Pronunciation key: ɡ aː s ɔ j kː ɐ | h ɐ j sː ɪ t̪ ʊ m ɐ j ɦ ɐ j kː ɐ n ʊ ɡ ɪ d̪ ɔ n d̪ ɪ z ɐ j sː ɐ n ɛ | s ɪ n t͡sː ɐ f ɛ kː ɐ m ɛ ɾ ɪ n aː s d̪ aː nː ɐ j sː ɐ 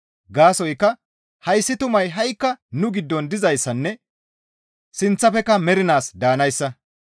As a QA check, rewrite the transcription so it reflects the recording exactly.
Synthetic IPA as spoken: ɡ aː s ɔ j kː ɐ | h ɐ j sː ɪ t̪ ʊ m ɐ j ɦ ɐ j kː ɐ n ʊ ɡ ɪ d̪ː ɔ n d̪ ɪ z ɐ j sː ɐ nː ɛ | s ɪ n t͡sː ɐ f ɛ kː ɐ m ɛ ɾ ɪ n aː s d̪ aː n ɐ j sː ɐ